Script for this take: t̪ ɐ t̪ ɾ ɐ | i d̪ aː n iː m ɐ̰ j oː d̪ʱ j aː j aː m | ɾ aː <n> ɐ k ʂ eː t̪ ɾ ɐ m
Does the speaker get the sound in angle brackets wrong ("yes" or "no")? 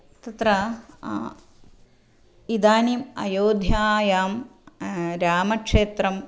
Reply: yes